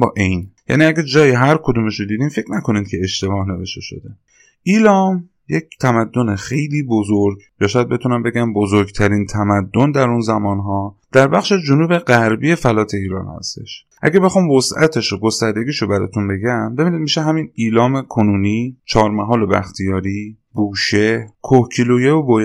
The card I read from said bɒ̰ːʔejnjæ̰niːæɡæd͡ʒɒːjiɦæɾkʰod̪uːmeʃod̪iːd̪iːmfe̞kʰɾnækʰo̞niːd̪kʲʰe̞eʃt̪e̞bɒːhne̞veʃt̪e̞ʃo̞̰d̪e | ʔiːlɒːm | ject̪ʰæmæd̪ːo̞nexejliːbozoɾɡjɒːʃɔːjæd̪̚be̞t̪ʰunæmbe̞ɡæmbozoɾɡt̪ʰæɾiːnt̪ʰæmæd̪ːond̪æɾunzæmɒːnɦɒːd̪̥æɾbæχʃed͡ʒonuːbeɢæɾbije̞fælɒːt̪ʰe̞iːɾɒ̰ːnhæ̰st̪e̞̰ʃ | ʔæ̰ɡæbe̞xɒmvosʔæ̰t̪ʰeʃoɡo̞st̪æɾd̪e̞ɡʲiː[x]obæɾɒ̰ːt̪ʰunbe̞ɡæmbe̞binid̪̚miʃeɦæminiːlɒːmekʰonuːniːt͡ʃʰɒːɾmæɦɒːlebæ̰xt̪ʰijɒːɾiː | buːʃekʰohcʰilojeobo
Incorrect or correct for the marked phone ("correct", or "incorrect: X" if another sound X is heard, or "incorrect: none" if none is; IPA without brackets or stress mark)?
incorrect: ʃ